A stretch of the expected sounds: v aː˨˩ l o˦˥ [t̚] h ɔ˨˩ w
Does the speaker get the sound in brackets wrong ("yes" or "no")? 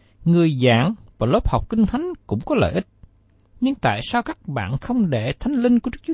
yes